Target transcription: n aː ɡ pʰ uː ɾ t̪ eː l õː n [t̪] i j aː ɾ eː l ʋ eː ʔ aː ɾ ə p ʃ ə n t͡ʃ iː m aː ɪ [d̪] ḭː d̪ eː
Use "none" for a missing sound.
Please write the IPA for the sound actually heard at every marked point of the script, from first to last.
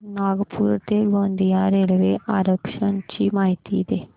d̪, t̪

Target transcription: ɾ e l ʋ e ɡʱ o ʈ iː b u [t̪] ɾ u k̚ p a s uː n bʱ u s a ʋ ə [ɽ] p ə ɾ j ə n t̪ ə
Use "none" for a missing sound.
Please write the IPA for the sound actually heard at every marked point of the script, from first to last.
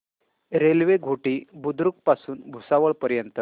d̪, ɭ

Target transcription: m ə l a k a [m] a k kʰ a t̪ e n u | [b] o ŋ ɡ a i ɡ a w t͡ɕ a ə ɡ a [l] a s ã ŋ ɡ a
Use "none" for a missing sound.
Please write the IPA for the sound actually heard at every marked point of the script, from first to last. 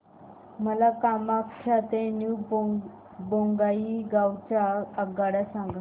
m, b, ɽ

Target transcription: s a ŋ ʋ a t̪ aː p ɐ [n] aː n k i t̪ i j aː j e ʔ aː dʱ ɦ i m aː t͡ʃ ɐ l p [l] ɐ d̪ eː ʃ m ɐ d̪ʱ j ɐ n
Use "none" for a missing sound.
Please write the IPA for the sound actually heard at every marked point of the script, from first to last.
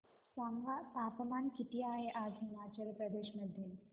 m, ɾ

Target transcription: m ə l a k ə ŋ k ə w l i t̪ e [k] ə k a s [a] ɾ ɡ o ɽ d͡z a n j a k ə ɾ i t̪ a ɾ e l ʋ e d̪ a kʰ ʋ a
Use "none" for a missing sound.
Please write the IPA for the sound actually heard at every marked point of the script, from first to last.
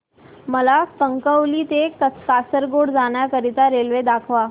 k, ə

